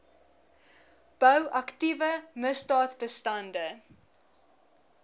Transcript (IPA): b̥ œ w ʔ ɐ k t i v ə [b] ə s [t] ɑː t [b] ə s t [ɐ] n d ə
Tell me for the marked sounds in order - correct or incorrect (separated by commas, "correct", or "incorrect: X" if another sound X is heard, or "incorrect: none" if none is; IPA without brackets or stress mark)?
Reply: incorrect: m, incorrect: d, correct, correct